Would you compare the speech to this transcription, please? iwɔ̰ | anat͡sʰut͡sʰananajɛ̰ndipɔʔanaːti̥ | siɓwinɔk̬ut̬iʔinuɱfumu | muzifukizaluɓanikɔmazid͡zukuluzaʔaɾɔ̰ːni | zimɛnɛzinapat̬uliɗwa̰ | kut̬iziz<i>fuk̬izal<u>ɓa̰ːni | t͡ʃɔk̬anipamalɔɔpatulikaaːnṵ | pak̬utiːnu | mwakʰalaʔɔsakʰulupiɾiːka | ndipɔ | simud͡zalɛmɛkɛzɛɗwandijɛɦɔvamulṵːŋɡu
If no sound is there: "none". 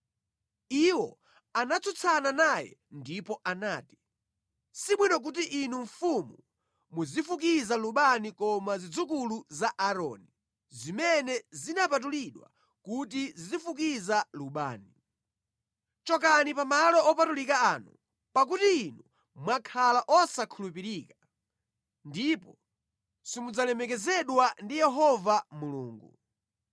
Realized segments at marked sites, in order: i, u

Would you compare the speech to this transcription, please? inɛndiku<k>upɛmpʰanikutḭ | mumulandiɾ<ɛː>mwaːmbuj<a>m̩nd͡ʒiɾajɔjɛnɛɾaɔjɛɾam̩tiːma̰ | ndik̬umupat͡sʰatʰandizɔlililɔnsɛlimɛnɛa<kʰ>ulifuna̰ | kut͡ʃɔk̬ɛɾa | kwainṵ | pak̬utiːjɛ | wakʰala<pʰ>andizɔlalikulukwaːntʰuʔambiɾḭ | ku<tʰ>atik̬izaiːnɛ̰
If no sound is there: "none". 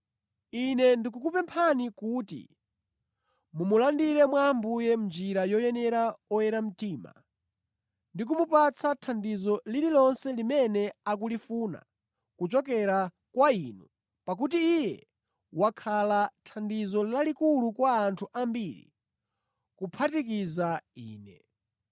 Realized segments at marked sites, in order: k, ɛ, ɛ, k, tʰ, pʰ

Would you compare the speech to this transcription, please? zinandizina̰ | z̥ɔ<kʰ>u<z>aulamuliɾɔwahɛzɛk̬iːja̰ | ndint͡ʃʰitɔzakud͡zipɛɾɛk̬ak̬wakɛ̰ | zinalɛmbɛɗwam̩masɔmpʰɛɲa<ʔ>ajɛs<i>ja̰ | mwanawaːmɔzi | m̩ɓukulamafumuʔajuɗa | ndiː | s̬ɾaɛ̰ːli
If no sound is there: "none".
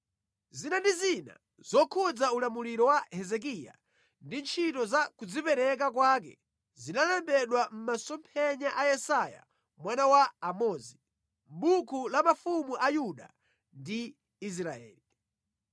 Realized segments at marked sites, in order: kʰ, d͡z, ʔ, a

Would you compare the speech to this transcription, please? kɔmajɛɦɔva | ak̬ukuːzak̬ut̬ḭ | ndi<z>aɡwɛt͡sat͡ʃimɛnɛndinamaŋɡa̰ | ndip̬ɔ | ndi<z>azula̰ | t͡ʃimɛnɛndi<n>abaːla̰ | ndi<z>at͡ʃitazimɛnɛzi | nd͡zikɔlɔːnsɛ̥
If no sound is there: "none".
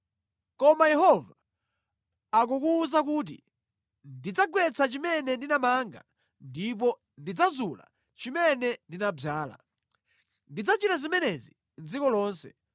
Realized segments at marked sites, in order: d͡z, d͡z, n, d͡z

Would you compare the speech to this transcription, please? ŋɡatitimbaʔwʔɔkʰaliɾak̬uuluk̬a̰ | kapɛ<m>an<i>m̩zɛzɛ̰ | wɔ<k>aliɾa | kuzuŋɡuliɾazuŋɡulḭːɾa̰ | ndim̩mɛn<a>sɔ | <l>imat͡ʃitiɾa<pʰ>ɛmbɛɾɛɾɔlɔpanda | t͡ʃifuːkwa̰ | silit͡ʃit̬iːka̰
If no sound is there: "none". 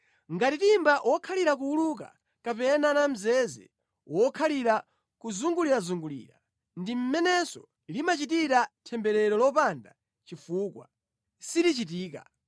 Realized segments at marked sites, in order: n, a, kʰ, ɛ, l, tʰ

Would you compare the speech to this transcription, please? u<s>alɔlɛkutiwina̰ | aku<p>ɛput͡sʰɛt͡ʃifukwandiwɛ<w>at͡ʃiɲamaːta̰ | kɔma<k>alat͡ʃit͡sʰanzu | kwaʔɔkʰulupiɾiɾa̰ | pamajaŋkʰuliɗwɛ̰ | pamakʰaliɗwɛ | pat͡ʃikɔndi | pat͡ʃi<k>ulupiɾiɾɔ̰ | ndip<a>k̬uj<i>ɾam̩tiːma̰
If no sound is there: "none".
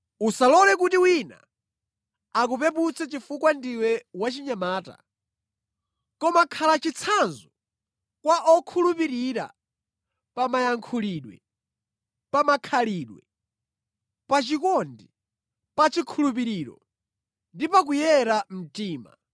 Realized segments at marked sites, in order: s, p, w, kʰ, kʰ, a, ɛ

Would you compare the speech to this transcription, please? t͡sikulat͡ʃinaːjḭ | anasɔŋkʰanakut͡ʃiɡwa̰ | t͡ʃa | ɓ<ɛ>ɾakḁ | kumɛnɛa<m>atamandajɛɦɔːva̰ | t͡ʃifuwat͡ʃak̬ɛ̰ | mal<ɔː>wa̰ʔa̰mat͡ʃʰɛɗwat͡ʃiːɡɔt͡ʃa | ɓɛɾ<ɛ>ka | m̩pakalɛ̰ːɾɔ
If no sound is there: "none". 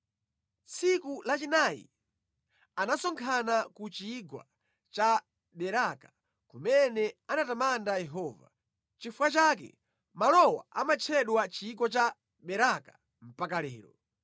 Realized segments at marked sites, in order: ɛ, n, ɔ, a

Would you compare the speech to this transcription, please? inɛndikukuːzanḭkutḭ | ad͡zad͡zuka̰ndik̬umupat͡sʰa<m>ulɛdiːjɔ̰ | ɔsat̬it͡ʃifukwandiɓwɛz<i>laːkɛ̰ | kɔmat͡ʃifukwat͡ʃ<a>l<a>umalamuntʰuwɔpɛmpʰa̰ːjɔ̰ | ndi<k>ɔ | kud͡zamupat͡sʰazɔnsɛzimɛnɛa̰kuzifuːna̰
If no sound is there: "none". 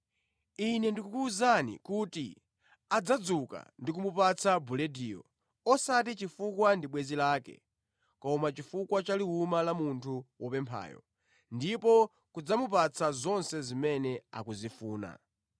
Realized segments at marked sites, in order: b, i, a, i, p

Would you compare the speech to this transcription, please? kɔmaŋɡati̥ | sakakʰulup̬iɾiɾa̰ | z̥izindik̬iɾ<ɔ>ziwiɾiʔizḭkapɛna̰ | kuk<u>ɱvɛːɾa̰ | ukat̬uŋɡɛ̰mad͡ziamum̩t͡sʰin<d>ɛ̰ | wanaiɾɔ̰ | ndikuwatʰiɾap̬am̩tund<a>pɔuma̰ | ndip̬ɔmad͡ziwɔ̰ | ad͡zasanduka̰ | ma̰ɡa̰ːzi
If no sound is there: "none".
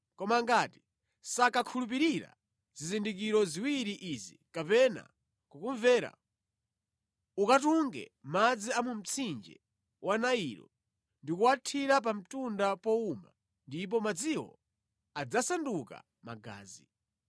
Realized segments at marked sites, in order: ɔ, u, d͡ʒ, a

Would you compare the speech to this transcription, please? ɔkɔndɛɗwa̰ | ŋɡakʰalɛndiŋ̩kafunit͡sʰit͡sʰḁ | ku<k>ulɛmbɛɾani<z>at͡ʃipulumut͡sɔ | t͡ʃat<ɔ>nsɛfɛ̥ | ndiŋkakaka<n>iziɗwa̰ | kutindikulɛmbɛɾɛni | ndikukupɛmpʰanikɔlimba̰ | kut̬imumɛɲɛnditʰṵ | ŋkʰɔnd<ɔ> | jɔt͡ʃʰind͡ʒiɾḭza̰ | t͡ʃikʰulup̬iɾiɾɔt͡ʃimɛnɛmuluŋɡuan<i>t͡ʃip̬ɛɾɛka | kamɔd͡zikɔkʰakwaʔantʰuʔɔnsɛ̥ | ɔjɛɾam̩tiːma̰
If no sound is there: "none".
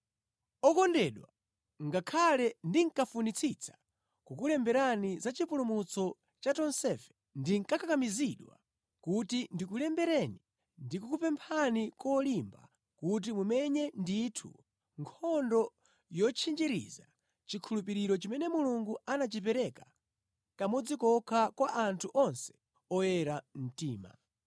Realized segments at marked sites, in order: k, z, ɔ, m, ɔ, a

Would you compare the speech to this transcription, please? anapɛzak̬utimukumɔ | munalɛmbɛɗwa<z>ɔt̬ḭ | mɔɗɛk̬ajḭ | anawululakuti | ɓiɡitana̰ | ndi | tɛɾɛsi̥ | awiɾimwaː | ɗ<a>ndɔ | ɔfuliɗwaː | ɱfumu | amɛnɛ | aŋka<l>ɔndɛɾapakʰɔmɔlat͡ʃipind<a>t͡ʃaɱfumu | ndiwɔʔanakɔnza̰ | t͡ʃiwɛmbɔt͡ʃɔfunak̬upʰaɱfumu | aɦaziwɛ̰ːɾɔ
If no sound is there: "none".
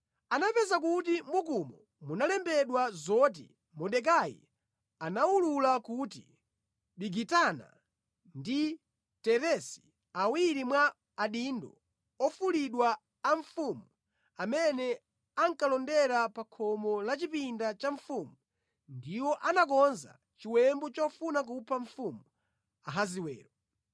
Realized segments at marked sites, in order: z, i, l, a

